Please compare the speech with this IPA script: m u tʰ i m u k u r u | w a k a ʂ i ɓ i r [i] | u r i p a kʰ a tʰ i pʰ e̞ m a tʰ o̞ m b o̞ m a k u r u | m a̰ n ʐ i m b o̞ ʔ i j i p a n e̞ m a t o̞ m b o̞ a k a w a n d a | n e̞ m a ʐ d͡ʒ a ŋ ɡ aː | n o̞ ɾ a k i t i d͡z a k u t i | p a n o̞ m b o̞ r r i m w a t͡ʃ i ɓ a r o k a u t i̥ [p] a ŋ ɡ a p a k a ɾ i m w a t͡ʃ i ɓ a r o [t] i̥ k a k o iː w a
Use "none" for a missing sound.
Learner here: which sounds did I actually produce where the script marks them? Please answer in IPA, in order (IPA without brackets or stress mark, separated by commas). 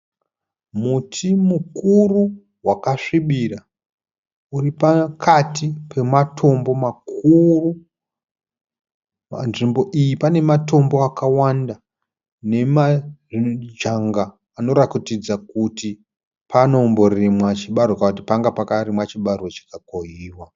a, p, t͡ʃ